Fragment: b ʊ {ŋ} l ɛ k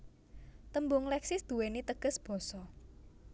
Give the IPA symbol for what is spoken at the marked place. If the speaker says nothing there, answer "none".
ŋ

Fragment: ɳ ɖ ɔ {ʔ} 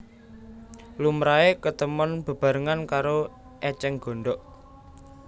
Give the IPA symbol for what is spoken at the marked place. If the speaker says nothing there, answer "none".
ʔ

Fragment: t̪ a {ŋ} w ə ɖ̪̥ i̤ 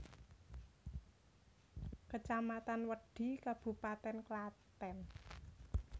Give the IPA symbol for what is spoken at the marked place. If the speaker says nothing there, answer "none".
n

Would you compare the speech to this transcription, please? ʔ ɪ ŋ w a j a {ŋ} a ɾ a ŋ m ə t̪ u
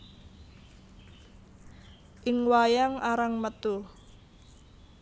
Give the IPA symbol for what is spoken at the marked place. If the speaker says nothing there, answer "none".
ŋ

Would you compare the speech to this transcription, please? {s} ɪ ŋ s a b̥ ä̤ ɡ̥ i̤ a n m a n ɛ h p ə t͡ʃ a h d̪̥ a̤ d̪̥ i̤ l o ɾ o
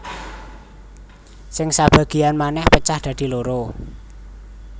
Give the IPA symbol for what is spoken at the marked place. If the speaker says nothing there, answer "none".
s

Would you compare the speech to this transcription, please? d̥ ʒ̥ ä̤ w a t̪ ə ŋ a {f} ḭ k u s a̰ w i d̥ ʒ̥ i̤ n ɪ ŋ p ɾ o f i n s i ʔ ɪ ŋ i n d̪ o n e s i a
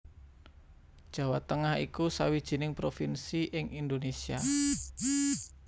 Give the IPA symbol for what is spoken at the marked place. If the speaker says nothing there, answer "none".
h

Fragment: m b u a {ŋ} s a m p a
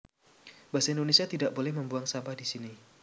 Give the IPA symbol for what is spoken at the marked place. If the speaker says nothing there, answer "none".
ŋ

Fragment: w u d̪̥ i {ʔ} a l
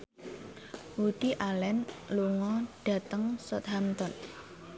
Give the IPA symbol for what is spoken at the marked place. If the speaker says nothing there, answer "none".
ʔ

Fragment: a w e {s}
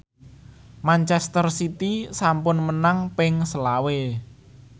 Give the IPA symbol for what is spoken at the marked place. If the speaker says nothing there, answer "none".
none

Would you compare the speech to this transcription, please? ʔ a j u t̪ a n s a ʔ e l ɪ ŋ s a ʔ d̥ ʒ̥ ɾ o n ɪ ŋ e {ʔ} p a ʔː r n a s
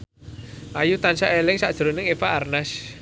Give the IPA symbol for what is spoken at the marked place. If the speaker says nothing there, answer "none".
none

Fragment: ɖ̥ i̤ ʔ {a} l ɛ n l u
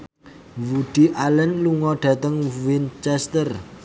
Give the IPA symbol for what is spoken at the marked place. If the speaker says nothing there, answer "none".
a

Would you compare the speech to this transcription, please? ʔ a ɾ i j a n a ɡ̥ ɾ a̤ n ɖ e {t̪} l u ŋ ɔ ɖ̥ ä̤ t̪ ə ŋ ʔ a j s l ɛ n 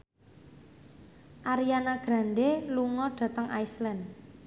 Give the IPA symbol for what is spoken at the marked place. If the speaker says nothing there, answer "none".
none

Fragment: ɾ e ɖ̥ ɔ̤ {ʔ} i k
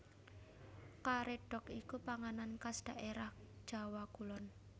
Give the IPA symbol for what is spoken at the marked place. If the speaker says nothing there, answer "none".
k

